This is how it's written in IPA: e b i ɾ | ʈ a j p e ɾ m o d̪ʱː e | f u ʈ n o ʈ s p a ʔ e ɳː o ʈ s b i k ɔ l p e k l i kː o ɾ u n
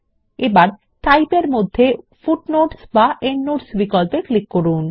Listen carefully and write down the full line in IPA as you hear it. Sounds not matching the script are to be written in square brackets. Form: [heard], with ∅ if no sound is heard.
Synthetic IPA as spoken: e b [a] ɾ | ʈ a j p e ɾ m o d̪ʱː e | f u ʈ n o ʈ s [b] a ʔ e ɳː o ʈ s b i k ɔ l p e k l i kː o ɾ u n